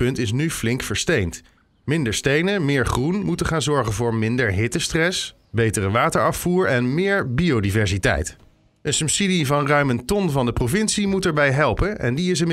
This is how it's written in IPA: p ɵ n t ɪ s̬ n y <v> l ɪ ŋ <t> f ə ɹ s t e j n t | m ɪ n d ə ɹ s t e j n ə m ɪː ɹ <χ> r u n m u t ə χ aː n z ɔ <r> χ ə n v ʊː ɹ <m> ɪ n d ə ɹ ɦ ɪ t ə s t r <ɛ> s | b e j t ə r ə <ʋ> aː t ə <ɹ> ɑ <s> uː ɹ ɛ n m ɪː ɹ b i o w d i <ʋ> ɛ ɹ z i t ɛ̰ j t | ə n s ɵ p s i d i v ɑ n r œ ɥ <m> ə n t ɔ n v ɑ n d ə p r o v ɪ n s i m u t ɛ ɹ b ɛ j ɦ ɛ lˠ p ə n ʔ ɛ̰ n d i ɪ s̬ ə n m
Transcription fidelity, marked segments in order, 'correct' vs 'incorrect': incorrect, incorrect, correct, incorrect, correct, correct, correct, correct, incorrect, incorrect, correct

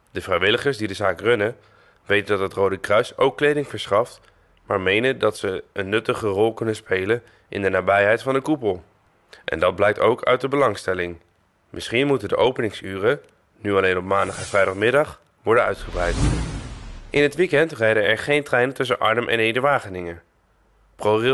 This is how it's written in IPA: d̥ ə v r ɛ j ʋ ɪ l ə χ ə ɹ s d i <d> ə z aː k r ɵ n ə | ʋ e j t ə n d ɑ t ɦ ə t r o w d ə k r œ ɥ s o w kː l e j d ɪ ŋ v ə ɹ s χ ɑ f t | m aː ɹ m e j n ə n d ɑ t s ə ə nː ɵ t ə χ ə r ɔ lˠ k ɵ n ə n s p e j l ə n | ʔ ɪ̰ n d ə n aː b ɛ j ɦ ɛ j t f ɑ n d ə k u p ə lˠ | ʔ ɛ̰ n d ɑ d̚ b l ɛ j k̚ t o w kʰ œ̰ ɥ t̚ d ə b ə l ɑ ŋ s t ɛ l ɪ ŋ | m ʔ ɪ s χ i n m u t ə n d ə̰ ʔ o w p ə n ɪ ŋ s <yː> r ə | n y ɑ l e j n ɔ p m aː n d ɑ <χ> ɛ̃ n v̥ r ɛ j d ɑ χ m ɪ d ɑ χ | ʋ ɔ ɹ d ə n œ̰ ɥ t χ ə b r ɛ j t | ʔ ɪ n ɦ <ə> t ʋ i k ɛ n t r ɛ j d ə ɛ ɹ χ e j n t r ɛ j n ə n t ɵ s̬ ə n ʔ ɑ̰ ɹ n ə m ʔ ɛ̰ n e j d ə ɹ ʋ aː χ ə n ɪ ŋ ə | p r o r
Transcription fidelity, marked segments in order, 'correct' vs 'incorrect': correct, correct, correct, correct

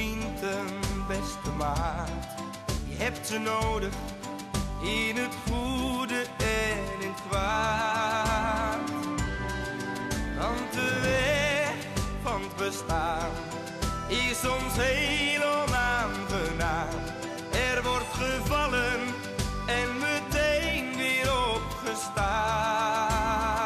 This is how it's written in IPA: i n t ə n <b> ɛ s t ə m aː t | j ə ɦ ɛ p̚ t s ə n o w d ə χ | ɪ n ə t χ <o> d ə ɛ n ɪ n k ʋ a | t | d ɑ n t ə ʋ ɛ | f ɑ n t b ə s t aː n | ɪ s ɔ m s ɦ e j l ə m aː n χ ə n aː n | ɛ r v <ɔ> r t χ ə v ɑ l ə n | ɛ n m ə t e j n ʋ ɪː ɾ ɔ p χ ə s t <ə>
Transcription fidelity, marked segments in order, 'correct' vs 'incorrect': correct, incorrect, correct, incorrect

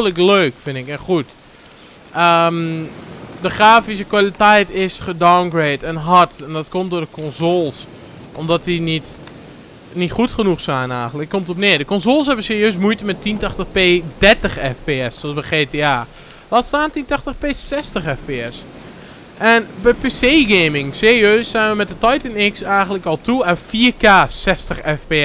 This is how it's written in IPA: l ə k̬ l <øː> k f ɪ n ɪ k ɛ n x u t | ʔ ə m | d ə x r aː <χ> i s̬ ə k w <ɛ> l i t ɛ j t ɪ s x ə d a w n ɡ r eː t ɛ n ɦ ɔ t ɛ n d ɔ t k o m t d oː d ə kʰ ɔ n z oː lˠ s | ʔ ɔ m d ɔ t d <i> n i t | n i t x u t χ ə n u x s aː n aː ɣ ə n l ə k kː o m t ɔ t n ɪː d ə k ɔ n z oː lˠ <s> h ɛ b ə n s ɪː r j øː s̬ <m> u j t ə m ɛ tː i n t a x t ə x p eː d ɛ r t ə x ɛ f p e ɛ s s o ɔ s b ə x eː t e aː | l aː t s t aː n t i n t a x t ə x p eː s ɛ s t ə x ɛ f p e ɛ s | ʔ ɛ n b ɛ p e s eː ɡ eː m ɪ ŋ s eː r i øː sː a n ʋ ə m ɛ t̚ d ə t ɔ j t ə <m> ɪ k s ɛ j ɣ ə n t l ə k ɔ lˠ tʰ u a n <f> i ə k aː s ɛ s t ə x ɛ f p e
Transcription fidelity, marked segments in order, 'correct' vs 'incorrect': correct, incorrect, incorrect, correct, correct, correct, incorrect, correct

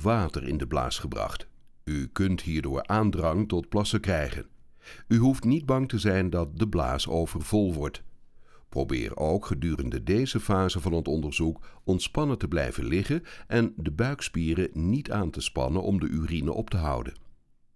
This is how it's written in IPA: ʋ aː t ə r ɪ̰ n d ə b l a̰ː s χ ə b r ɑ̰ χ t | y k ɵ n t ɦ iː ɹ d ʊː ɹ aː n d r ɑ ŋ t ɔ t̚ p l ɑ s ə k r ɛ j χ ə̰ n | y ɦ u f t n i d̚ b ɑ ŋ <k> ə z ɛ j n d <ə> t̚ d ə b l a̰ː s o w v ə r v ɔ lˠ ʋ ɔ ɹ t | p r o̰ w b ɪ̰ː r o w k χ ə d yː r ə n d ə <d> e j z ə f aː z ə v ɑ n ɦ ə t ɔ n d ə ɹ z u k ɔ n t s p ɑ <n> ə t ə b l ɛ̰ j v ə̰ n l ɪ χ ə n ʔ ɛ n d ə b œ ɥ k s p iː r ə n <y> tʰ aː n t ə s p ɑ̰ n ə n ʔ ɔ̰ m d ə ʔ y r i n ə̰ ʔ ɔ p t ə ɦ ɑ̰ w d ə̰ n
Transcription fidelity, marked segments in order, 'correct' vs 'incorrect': incorrect, incorrect, correct, correct, incorrect

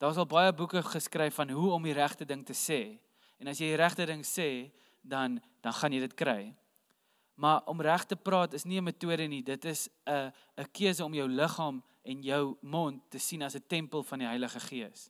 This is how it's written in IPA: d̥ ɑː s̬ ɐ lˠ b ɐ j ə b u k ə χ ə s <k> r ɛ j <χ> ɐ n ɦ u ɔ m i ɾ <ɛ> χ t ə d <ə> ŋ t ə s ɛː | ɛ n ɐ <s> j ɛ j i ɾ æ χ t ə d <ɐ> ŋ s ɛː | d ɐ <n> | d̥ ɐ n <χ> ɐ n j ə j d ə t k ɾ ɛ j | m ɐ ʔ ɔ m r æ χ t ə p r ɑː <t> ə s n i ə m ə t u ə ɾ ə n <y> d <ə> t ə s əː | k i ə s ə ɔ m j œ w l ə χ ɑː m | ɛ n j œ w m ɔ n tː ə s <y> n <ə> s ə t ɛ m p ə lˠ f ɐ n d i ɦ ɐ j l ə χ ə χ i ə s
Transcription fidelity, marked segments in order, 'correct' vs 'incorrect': correct, incorrect, incorrect, correct, correct, incorrect, correct, correct, correct, incorrect, correct, incorrect, incorrect

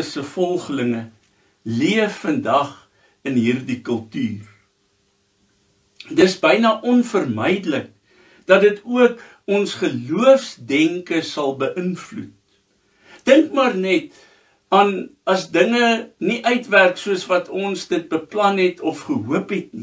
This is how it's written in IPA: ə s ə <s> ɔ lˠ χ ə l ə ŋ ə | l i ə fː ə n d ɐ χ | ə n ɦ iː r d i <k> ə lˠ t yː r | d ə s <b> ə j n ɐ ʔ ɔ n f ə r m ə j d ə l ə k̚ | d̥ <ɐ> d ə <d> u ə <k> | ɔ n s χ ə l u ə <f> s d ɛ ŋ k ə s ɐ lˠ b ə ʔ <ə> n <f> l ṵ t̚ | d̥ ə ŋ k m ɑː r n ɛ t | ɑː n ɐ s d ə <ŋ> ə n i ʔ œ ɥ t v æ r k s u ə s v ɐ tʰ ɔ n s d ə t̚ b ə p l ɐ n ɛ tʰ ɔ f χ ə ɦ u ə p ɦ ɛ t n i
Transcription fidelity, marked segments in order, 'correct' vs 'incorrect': incorrect, correct, correct, correct, incorrect, correct, correct, correct, correct, correct

